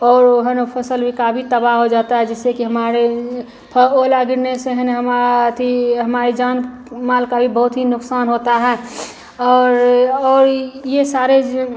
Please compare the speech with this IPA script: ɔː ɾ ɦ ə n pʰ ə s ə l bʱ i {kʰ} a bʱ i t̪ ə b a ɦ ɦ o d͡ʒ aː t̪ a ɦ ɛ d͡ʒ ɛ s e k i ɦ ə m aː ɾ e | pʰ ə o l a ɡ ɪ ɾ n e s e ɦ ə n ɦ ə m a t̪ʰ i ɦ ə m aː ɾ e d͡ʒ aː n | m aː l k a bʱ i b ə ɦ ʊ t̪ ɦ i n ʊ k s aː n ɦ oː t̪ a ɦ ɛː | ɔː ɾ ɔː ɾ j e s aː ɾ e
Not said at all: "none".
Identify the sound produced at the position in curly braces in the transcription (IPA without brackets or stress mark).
k